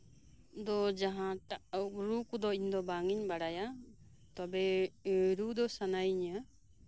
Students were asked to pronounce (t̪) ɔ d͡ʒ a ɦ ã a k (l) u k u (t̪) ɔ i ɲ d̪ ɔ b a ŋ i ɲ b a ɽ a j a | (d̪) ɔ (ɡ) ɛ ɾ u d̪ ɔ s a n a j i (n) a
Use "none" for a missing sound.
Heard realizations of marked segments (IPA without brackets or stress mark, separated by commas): d̪, ɾ, d̪, t̪, b, ɲ